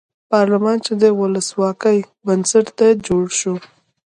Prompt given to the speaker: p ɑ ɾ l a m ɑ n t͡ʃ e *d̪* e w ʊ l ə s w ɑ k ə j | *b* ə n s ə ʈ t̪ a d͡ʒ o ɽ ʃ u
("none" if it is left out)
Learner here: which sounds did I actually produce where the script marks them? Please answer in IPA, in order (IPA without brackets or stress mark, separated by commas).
d̪, b